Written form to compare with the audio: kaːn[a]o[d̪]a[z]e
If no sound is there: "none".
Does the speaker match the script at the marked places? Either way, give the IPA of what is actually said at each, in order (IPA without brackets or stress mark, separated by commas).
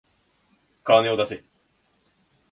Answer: e, d̪, s